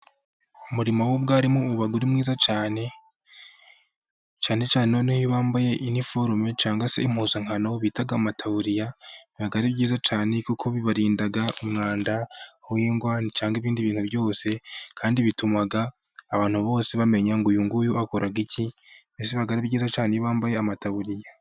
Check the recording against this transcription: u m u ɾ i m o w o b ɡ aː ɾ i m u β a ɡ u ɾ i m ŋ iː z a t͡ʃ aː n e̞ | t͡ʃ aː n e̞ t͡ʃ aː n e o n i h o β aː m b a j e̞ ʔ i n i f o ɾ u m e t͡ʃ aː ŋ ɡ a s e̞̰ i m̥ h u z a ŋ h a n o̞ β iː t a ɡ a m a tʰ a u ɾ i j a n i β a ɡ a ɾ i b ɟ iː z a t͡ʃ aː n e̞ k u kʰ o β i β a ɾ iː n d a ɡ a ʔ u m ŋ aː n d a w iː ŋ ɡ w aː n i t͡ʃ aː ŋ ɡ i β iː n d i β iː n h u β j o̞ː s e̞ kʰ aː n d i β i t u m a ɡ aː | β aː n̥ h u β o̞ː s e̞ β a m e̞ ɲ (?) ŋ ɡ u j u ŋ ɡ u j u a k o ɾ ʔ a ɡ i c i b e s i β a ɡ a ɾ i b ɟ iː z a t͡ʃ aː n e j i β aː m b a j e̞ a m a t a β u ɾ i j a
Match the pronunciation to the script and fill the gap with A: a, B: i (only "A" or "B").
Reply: A